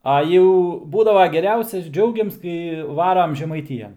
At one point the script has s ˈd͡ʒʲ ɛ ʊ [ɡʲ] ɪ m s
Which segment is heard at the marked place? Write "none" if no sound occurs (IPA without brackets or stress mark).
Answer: ɡʲ